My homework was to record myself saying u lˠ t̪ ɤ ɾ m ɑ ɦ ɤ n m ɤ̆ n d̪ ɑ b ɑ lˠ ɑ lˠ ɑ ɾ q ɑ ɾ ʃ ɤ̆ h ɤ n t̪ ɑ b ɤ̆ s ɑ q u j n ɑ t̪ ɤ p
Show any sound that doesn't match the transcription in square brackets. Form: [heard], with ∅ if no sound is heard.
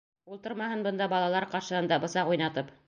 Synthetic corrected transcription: u lˠ t̪ ɤ ɾ m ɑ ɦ ɤ n [b] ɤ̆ n d̪ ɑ b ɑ lˠ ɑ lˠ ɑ ɾ q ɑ ɾ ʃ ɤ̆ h ɤ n [d̪] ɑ b ɤ̆ s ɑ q u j n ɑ t̪ ɤ p